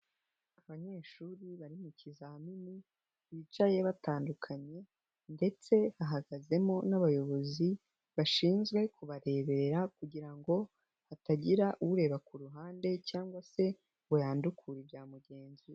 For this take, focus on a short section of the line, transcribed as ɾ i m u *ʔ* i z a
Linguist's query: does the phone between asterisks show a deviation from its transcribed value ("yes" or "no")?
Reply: yes